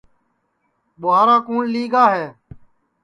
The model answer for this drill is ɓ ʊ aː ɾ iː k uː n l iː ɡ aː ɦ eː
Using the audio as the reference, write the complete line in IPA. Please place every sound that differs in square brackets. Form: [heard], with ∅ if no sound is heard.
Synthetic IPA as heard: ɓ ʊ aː ɾ [aː] k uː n l iː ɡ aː ɦ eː